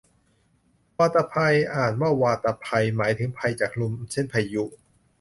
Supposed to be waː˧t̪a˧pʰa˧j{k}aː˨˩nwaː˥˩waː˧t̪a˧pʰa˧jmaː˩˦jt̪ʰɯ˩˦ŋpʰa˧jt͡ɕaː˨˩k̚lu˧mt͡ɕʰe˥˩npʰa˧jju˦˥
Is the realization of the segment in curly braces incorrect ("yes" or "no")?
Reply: yes